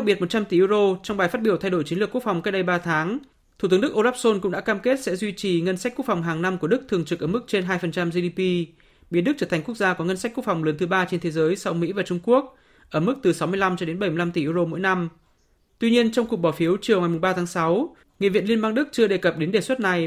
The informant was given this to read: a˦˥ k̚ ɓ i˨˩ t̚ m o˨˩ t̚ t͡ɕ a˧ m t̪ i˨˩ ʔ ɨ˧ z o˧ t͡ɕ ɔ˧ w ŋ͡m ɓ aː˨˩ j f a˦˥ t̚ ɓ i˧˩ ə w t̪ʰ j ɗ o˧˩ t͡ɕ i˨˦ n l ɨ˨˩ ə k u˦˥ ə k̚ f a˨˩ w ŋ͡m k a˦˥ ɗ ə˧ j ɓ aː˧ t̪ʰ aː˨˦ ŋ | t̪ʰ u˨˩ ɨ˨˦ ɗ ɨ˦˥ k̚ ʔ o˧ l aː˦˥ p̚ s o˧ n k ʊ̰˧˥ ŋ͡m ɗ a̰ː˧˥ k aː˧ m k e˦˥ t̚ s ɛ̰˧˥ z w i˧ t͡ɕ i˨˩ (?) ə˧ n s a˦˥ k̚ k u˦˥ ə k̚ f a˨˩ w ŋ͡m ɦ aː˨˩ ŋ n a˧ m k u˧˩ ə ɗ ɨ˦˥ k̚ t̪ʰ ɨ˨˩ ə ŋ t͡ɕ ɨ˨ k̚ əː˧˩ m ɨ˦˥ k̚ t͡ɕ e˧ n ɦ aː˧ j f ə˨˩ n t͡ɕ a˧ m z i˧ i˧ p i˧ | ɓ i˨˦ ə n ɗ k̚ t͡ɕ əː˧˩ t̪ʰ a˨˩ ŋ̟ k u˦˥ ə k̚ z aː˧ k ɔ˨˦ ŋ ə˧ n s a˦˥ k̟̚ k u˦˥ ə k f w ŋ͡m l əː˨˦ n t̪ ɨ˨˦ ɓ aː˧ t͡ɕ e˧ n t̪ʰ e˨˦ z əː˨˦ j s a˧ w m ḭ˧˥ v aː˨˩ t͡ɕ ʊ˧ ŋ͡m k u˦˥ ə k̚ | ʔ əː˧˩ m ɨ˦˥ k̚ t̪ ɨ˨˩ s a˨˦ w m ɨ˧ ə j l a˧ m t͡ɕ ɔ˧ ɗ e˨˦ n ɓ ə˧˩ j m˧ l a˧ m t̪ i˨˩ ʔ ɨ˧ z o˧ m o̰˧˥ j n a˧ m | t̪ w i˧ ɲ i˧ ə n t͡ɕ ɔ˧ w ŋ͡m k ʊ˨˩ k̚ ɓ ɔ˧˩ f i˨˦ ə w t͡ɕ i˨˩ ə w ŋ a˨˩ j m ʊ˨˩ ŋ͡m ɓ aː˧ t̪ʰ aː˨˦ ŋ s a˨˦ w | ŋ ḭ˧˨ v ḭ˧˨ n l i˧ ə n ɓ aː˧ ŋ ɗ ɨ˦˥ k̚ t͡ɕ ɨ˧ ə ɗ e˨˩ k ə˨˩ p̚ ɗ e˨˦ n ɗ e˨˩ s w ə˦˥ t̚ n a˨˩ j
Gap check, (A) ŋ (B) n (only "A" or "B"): A